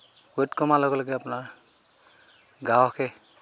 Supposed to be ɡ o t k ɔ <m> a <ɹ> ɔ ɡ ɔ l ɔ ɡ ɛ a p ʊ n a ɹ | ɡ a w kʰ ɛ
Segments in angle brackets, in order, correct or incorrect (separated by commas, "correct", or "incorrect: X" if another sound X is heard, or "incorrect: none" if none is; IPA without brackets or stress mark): correct, incorrect: l